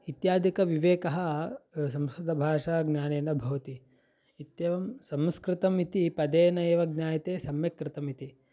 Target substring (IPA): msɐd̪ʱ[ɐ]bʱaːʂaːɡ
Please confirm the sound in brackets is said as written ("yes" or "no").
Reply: yes